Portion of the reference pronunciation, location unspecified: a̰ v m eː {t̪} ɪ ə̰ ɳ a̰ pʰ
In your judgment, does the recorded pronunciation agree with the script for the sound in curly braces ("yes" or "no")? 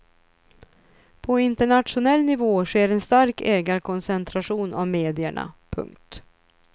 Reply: no